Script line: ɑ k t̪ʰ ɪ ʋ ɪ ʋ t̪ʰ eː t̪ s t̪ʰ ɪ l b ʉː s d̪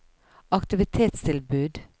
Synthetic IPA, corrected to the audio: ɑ k t̪ ɪ ʋ ɪ t̪ʰ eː t̪ s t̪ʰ ɪ l b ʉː d̪